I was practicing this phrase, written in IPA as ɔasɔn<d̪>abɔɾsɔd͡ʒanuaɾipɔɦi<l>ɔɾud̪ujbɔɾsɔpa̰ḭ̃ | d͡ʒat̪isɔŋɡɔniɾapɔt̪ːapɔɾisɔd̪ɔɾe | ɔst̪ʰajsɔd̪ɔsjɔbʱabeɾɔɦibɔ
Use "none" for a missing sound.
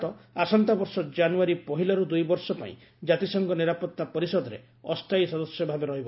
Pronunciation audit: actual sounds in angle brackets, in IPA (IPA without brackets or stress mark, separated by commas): t̪, l